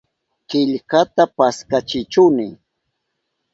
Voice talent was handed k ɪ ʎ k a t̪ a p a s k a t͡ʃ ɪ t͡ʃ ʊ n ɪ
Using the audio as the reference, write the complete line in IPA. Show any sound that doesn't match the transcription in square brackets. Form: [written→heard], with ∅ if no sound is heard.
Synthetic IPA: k ɪ ʎ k a t̪ a p a s k a t͡ʃ ɪ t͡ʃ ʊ n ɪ